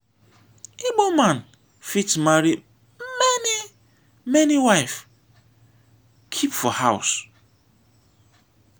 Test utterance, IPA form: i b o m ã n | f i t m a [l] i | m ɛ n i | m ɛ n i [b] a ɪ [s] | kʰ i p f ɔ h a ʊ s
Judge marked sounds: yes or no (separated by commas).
no, no, no